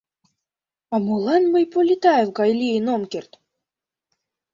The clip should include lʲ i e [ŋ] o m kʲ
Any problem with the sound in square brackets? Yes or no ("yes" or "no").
yes